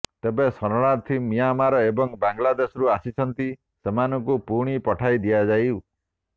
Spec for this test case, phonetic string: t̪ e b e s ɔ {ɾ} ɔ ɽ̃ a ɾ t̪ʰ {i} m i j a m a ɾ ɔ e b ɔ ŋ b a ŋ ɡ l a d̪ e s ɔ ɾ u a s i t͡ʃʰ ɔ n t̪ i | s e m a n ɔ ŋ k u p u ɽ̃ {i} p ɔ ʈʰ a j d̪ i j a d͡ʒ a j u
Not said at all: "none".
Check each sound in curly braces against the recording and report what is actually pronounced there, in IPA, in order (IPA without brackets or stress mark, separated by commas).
ɾ, i, i